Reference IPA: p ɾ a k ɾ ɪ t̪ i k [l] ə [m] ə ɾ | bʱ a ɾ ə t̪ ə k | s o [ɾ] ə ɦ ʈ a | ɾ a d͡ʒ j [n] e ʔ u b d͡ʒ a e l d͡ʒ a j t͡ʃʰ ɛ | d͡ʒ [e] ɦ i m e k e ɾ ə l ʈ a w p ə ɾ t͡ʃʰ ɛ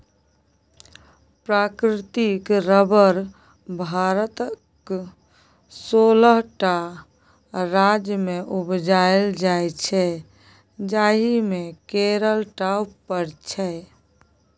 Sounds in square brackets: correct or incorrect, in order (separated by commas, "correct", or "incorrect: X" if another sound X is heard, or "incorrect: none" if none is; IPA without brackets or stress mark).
incorrect: ɾ, incorrect: b, incorrect: l, incorrect: m, incorrect: a